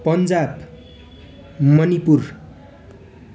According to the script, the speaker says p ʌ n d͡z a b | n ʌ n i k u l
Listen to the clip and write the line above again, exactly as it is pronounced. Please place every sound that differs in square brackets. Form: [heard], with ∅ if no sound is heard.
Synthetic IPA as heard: p ʌ n d͡z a b | [m] ʌ n i [p] u [r]